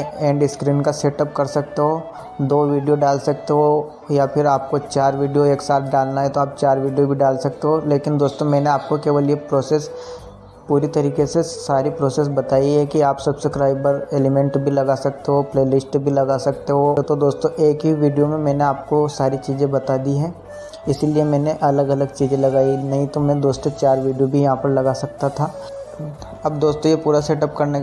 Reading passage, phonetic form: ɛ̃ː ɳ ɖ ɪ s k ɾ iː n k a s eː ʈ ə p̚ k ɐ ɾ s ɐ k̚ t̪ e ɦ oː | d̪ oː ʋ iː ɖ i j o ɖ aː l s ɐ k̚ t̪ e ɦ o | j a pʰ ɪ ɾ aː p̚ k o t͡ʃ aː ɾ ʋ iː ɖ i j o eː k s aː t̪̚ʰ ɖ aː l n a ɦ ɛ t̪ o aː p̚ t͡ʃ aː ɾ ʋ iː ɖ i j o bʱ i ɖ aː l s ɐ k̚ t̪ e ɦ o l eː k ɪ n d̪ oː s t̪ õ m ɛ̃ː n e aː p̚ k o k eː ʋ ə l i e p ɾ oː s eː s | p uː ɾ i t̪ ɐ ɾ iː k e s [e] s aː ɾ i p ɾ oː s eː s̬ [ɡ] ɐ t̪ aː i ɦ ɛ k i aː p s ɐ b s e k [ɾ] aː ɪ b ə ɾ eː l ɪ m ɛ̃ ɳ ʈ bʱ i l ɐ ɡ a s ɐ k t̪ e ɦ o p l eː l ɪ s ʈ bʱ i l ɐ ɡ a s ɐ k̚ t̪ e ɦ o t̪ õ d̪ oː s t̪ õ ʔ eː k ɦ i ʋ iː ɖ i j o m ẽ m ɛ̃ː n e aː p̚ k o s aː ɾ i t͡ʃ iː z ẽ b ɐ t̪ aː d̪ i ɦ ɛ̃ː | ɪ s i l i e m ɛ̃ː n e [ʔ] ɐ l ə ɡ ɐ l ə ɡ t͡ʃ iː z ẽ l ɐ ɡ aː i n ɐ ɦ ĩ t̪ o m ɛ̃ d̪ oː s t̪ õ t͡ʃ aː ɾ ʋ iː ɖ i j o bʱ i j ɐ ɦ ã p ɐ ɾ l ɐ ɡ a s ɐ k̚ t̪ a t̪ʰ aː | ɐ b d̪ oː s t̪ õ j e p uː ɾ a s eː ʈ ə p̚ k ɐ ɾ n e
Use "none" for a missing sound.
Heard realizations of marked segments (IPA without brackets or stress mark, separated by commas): e, b, ɾ, ʔ